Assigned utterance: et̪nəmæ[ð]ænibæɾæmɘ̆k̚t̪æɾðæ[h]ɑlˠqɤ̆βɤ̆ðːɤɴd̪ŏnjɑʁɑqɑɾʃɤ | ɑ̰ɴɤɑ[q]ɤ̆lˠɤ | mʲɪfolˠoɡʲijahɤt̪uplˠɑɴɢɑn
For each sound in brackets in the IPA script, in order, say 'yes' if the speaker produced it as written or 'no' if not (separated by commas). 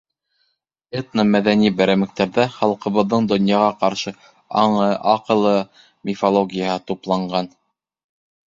yes, no, yes